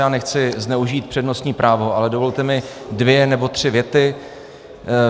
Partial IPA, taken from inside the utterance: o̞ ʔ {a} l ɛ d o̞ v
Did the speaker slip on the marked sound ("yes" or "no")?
no